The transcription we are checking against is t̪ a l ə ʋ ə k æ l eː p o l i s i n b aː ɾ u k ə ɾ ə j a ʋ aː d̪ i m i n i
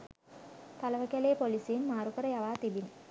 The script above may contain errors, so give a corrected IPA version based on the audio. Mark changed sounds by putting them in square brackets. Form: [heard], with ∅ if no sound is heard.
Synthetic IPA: t̪ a l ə ʋ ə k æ l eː p o l i s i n [m] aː ɾ u k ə ɾ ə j a ʋ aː [t̪] i [b] i n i

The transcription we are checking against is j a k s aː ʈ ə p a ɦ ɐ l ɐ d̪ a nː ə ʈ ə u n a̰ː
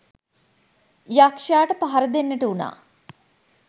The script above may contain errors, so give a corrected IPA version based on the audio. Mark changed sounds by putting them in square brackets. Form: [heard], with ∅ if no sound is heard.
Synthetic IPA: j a k [ʂ] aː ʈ ə p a ɦ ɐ [ɾ] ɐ d̪ [e] nː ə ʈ ə u n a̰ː

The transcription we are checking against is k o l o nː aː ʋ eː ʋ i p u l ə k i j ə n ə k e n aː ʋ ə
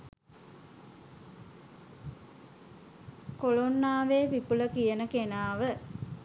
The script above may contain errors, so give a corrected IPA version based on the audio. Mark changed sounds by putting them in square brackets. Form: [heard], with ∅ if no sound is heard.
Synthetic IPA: k o l o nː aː ʋ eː ʋ i p u l ə k i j ə n ə k e n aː ʋ ə

